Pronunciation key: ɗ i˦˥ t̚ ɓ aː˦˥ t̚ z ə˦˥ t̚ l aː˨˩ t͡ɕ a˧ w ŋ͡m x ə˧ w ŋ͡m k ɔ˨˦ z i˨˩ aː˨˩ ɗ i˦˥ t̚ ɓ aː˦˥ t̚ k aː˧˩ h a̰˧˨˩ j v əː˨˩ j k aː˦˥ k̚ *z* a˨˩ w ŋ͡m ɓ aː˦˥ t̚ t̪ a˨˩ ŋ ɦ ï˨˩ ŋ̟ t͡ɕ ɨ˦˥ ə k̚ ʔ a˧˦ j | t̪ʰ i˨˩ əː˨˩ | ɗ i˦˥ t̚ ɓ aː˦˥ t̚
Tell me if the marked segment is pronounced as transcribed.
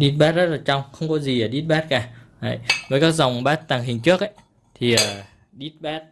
yes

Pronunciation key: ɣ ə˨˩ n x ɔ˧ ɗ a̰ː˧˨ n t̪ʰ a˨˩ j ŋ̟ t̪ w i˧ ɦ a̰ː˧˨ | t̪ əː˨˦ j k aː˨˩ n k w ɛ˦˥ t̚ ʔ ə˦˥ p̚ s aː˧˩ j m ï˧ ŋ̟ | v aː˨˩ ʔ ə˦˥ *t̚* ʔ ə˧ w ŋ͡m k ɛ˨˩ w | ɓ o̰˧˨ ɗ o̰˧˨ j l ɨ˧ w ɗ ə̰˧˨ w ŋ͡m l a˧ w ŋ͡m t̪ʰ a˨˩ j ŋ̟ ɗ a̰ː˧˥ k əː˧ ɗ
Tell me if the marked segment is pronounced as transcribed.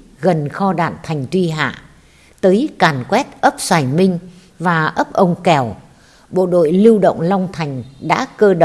no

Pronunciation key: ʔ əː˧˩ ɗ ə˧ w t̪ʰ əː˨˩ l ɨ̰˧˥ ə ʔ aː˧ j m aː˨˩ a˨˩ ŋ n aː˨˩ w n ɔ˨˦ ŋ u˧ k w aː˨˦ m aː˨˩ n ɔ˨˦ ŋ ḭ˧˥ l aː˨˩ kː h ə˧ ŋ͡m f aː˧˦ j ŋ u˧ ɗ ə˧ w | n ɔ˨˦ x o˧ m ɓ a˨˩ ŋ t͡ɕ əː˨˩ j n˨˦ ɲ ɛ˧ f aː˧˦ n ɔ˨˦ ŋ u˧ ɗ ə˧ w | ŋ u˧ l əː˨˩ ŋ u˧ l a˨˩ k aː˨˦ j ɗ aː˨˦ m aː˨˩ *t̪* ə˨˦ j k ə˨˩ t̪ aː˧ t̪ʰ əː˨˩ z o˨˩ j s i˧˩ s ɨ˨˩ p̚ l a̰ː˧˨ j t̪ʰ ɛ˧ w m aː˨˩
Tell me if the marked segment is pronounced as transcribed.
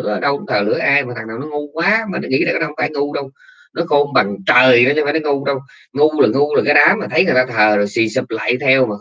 no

